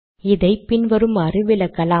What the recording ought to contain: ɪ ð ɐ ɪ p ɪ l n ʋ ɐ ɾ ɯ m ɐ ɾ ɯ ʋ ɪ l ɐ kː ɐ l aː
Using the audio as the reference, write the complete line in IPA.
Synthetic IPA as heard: ɪ ð ɐ ɪ p ɪ n ʋ ɐ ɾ ɯ m ɐ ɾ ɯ ʋ ɪ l ɐ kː ɐ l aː